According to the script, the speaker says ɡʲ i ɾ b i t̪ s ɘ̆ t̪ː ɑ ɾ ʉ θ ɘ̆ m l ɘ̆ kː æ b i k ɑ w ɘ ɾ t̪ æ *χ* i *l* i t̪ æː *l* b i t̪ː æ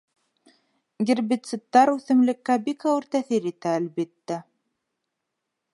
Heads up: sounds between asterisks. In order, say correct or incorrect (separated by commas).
incorrect, incorrect, correct